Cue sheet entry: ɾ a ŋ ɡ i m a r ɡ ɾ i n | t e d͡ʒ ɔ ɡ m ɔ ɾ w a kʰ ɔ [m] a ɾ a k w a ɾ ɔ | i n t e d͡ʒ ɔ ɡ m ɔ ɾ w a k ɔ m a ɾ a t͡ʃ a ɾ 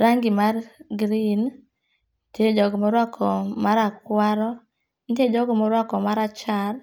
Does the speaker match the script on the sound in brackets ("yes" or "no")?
yes